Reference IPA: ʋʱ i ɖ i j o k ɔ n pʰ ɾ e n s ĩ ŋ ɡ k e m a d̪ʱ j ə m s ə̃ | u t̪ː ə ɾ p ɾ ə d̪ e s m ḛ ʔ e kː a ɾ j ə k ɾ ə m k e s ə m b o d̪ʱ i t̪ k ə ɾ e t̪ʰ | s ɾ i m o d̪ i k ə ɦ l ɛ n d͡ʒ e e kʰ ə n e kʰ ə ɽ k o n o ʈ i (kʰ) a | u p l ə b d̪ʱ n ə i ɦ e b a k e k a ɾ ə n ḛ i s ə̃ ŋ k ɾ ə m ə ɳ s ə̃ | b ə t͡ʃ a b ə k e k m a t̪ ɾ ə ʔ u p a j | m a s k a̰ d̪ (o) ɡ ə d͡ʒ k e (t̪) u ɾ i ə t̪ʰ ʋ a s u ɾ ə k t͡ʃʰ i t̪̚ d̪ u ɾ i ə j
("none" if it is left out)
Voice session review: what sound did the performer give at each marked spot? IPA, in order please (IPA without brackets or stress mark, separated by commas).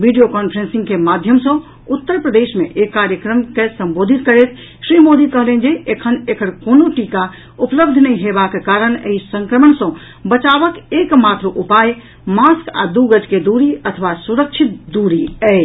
k, u, d̪